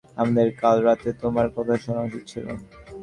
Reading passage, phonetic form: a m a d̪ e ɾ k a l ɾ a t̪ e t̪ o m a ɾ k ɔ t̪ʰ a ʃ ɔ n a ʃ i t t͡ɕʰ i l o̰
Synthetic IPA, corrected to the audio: a m a d̪ e ɾ k a l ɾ a t̪ e t̪ o m a ɾ k ɔ t̪ʰ a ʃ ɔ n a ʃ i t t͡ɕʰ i l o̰